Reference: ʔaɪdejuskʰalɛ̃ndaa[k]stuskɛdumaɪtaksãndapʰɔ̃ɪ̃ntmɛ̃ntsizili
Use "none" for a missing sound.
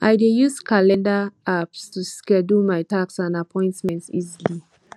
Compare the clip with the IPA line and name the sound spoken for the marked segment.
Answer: p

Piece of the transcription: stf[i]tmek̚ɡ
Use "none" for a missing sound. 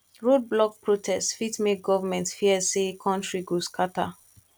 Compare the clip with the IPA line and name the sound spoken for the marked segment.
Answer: i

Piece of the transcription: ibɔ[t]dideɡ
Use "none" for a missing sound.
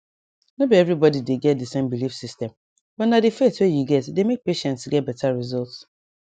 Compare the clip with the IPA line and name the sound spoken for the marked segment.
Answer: none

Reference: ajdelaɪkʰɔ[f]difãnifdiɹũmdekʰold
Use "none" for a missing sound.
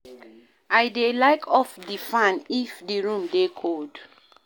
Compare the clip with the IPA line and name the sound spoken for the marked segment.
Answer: f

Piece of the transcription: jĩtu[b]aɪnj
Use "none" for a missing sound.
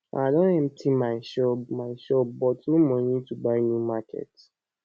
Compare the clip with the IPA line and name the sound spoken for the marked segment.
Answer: b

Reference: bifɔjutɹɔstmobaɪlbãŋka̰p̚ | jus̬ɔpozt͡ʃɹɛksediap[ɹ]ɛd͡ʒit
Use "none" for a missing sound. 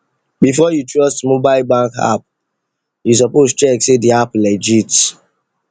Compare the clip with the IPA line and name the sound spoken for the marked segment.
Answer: l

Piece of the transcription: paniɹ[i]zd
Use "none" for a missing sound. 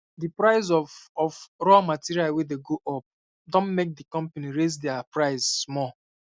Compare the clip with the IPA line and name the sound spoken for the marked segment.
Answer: e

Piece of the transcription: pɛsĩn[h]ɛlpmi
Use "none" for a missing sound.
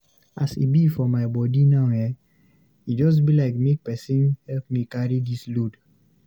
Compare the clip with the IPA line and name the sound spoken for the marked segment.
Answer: h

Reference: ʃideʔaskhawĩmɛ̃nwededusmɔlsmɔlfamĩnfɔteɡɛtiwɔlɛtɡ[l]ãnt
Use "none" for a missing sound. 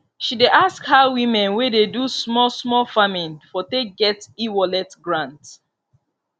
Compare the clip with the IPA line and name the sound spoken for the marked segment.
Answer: ɹ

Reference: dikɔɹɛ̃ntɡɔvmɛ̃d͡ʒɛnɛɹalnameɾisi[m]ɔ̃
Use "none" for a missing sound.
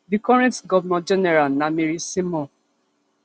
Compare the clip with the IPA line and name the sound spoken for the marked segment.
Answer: m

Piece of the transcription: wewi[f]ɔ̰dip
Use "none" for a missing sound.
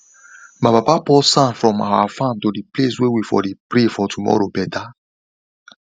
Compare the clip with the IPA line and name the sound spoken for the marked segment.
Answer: f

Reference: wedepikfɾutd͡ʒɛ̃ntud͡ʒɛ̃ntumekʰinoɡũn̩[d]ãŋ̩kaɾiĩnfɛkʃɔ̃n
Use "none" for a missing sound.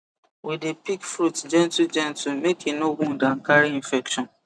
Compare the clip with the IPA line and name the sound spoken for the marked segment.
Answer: d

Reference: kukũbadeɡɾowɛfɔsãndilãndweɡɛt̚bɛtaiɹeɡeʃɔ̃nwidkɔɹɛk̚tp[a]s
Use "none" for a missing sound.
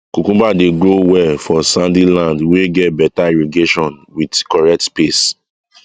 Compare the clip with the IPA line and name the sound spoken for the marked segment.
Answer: e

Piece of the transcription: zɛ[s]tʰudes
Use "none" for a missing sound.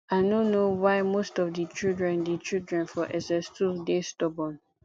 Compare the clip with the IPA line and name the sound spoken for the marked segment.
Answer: s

